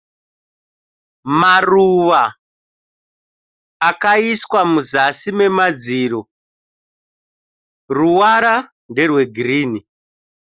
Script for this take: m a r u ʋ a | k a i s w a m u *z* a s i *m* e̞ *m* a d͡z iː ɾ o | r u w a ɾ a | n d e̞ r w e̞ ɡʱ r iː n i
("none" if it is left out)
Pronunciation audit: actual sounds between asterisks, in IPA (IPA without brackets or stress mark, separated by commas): z, m, m